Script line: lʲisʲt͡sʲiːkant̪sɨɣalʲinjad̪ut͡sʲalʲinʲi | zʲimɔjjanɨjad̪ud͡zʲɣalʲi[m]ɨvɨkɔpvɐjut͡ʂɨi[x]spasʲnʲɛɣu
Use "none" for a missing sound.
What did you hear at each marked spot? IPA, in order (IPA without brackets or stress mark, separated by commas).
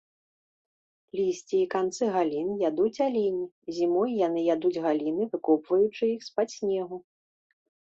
n, x